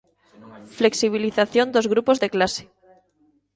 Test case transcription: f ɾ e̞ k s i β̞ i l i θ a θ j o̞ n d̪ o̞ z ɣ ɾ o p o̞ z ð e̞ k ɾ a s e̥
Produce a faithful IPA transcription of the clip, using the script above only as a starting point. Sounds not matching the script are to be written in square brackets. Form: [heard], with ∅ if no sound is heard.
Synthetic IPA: f [l] e̞ k s i β̞ i l i θ a θ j o̞ n d̪ o̞ z ɣ ɾ [u] p o̞ z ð e̞ k [l] a s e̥